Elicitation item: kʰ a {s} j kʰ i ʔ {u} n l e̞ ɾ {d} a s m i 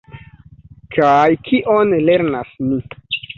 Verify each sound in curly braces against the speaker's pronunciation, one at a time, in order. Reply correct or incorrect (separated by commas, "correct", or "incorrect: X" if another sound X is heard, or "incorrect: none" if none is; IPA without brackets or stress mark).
incorrect: none, incorrect: o, incorrect: n